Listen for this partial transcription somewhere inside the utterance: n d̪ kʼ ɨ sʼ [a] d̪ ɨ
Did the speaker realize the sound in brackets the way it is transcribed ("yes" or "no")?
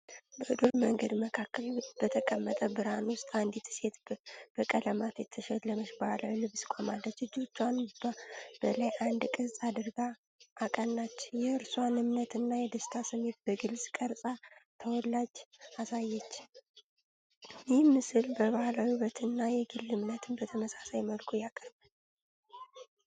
yes